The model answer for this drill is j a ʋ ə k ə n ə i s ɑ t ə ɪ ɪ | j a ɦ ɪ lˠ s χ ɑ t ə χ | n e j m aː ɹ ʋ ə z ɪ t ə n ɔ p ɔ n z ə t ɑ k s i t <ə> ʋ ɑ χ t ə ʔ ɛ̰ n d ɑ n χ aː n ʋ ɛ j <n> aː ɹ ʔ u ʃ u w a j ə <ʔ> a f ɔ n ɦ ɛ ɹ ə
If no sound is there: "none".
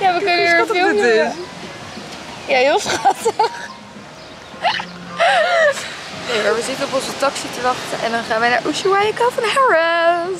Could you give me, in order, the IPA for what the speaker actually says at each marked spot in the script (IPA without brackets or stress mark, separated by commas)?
ə, n, k